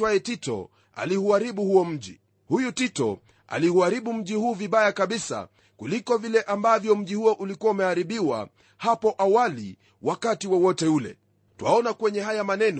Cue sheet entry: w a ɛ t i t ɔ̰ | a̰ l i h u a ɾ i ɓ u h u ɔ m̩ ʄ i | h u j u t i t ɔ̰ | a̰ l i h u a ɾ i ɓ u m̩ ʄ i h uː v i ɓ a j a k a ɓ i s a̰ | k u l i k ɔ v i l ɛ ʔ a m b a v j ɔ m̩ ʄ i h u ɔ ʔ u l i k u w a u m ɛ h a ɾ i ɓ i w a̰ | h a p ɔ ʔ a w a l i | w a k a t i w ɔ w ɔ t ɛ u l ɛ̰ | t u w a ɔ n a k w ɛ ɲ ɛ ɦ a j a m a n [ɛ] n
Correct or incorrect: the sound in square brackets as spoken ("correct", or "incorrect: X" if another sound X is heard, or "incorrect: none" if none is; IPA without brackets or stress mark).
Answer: correct